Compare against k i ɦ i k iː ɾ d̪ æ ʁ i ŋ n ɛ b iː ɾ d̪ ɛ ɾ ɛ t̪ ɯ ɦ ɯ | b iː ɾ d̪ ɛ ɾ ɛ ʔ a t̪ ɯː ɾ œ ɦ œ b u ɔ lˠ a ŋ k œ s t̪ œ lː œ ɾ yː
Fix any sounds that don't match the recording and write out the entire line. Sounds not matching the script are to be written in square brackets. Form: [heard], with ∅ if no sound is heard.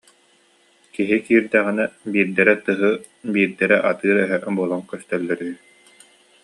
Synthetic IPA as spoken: k i ɦ i k iː ɾ d̪ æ ʁ i [∅] n ɛ b iː ɾ d̪ ɛ ɾ ɛ t̪ ɯ ɦ ɯ | b iː ɾ d̪ ɛ ɾ ɛ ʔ a t̪ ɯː ɾ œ ɦ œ b u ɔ lˠ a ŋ k œ s t̪ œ lː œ ɾ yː

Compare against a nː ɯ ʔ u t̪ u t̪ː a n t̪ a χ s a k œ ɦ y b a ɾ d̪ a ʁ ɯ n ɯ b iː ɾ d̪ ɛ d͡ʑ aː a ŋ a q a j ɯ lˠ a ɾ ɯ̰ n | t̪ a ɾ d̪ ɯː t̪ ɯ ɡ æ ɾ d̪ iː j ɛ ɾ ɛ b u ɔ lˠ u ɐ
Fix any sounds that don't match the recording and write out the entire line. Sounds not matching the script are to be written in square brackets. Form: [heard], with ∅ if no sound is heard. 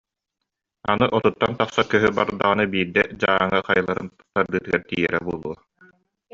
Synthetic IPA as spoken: a [n] ɯ ʔ [ɔ] t̪ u t̪ː a n t̪ a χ s a k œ ɦ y b a ɾ d̪ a ʁ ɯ n ɯ b iː ɾ d̪ ɛ d͡ʑ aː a ŋ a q a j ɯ lˠ a ɾ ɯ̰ n | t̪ a ɾ d̪ ɯː t̪ ɯ ɡ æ ɾ [t̪] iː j ɛ ɾ ɛ b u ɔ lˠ u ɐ

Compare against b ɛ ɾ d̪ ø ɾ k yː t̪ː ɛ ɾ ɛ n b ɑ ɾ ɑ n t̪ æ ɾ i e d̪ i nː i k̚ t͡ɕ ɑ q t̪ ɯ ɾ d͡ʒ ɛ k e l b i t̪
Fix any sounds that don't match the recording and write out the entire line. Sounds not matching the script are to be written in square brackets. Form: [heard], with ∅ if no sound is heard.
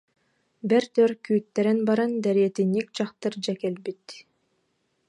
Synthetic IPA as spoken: b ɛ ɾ [t̪] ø ɾ k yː t̪ː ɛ ɾ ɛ n b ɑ ɾ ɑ n [d̪] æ ɾ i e [t̪] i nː i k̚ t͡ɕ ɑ q t̪ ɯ ɾ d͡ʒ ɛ k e l b i t̪

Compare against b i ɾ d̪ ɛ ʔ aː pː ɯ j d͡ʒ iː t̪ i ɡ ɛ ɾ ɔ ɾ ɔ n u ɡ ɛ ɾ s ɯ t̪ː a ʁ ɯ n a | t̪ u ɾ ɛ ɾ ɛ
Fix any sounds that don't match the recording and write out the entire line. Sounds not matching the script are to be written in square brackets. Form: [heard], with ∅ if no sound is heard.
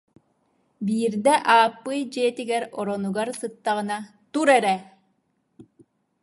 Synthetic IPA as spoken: b [iː] ɾ d̪ ɛ ʔ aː pː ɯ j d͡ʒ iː t̪ i ɡ ɛ ɾ ɔ ɾ ɔ n u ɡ [a] ɾ s ɯ t̪ː a ʁ ɯ n a | t̪ u ɾ ɛ ɾ ɛ

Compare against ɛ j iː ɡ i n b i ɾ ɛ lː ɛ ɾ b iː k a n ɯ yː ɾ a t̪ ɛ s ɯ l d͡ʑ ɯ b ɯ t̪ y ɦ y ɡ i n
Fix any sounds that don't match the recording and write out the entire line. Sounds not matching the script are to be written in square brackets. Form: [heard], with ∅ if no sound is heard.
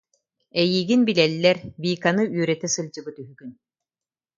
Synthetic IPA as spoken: ɛ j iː ɡ i n b i [l] ɛ lː ɛ ɾ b iː k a n ɯ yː ɾ [ɛ] t̪ ɛ s ɯ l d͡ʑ ɯ b ɯ t̪ y ɦ y ɡ [y] n

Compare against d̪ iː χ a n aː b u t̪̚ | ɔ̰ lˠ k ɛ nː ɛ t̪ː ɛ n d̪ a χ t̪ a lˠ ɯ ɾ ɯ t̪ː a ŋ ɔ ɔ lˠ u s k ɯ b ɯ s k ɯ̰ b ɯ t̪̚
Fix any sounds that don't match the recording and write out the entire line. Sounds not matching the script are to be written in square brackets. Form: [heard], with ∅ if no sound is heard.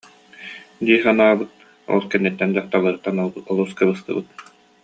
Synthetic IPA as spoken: d̪ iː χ a n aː b [ɯ] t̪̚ | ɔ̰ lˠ k ɛ nː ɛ t̪ː ɛ n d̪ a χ t̪ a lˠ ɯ ɾ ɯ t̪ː a [n] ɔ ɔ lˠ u s k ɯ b ɯ s k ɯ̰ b ɯ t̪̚

